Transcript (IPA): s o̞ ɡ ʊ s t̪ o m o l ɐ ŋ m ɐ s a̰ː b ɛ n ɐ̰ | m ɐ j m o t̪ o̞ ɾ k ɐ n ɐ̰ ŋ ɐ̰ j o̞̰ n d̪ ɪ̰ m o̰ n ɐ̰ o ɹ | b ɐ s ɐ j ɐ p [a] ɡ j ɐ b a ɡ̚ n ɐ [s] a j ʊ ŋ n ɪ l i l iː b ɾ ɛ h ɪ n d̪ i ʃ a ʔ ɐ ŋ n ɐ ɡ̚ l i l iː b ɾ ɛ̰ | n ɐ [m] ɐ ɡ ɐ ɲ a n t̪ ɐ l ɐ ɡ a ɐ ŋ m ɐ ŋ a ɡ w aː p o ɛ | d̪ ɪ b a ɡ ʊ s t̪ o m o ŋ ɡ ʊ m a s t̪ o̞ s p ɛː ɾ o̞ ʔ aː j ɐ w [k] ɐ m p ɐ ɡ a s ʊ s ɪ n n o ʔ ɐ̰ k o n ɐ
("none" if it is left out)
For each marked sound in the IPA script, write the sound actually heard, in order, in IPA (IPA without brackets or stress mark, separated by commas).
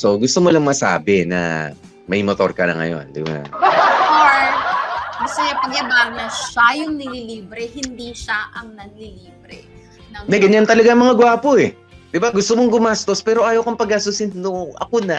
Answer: ɐ, ʃ, n, k